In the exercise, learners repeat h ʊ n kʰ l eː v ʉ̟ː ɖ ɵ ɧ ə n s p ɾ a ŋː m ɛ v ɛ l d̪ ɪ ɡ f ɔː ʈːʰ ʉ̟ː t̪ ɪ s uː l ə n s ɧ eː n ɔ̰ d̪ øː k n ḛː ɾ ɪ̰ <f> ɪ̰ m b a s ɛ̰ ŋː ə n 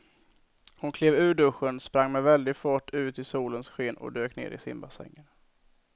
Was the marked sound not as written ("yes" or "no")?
yes